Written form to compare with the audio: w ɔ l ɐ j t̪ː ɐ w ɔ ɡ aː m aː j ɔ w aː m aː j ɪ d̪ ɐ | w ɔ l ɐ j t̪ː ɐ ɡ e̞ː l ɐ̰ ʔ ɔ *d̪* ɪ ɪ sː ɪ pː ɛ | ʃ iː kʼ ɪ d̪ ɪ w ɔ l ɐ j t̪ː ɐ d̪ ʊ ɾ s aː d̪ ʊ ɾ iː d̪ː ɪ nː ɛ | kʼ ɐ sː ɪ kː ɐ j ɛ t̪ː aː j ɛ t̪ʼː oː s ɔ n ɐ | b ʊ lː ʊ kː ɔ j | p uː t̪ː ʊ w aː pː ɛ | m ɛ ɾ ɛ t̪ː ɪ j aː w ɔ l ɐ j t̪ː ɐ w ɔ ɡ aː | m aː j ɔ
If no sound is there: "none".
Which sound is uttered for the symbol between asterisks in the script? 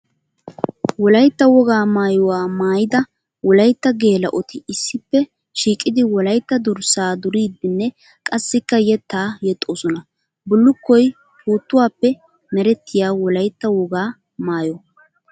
t̪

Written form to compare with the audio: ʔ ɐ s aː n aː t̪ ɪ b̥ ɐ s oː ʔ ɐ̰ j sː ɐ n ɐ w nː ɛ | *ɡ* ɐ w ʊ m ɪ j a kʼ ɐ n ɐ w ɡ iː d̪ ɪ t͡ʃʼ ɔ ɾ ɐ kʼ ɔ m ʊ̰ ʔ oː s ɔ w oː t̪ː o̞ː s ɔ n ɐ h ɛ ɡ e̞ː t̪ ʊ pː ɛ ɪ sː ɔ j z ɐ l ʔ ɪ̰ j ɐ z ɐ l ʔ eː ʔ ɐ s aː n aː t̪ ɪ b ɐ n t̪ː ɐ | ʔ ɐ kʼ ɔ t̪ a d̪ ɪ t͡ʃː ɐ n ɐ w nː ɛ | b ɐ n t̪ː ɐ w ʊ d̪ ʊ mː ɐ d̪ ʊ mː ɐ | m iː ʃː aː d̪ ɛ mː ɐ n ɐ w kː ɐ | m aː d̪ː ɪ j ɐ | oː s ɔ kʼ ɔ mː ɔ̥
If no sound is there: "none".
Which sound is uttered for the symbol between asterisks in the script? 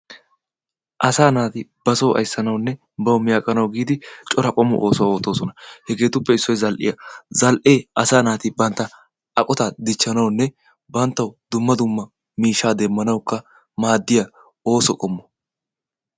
b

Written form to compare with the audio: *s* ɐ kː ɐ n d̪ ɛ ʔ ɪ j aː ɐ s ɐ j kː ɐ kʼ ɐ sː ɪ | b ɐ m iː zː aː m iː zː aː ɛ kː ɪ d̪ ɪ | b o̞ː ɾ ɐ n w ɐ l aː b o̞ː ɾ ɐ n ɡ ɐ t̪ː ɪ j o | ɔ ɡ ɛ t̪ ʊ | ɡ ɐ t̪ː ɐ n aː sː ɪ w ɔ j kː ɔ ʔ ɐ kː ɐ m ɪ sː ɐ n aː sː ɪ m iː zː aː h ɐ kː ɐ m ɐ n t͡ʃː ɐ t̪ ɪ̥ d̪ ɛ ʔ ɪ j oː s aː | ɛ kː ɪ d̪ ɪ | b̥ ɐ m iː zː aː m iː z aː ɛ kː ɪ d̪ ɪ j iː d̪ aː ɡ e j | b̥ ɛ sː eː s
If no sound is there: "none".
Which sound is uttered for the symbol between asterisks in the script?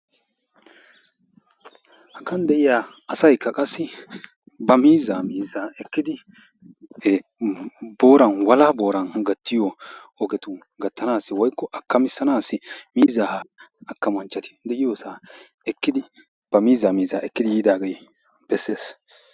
h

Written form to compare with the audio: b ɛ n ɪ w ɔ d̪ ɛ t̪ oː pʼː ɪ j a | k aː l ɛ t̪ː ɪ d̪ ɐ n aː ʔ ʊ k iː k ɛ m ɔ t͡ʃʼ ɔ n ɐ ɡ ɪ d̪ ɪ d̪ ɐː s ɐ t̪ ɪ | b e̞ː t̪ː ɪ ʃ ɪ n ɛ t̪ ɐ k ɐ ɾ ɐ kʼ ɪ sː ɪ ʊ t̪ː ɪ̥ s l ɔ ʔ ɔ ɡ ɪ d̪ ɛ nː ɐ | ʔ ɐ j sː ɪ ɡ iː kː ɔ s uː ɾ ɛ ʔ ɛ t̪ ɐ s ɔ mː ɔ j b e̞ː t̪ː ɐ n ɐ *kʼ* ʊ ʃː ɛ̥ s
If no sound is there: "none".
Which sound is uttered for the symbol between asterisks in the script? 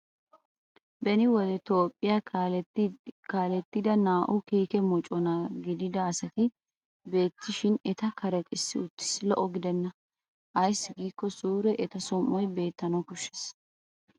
k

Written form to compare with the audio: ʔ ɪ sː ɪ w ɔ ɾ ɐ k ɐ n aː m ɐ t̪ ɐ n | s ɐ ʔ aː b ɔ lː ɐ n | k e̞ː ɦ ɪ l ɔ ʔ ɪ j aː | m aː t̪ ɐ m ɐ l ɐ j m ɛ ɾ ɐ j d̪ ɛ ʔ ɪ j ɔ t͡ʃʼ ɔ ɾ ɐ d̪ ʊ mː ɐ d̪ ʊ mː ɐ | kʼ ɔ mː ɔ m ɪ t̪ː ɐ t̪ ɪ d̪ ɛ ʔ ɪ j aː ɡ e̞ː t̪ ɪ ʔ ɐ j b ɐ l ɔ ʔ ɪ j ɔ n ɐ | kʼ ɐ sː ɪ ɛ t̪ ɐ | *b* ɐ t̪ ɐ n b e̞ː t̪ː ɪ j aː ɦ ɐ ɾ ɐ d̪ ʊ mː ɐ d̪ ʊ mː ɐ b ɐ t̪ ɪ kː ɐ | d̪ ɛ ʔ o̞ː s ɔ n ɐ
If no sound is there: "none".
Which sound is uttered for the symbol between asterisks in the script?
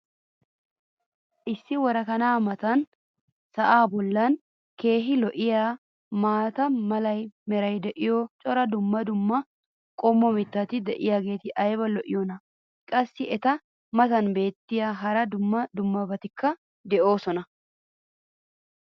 m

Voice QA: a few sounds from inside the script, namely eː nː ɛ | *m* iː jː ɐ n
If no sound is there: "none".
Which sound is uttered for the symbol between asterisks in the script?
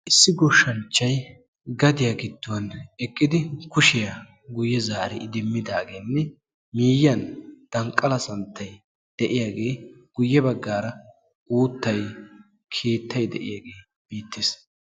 m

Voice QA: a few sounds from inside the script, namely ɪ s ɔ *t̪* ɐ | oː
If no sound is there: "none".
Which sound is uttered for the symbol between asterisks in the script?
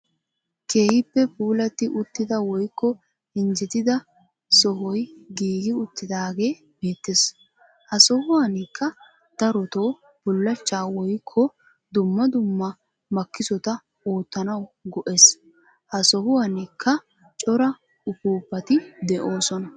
t̪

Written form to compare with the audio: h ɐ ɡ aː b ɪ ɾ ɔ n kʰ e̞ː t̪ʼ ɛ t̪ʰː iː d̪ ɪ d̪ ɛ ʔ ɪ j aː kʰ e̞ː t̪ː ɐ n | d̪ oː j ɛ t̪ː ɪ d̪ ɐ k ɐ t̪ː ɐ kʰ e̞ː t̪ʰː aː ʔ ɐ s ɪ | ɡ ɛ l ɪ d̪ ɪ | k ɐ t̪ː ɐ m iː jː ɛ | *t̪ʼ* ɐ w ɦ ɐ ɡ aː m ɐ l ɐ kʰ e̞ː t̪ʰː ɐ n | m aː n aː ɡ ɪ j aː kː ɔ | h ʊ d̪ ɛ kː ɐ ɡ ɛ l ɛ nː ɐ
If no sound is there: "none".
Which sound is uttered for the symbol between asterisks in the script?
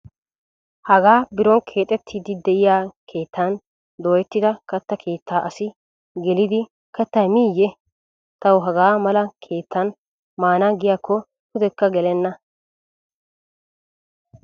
t̪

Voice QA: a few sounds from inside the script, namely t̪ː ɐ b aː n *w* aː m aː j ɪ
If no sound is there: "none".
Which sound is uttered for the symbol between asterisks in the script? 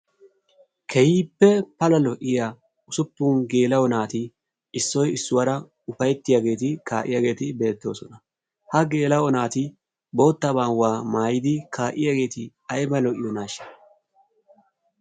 w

